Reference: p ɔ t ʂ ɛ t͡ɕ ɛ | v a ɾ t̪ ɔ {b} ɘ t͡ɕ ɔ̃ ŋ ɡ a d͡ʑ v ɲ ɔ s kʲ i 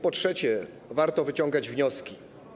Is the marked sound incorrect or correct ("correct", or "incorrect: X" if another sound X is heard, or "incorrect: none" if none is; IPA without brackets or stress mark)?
incorrect: v